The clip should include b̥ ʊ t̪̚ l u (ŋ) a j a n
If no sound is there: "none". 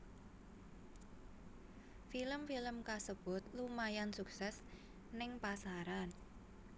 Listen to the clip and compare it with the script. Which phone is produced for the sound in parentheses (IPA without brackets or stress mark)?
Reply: m